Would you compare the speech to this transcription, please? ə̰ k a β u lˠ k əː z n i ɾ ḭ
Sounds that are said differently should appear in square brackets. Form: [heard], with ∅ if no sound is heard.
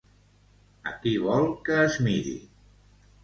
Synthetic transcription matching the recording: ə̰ k [i] β [ɔ] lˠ k əː z [m] i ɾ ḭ